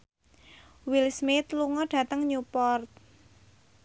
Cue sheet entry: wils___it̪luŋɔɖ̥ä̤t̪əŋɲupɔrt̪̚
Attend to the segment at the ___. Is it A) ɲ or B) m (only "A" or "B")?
B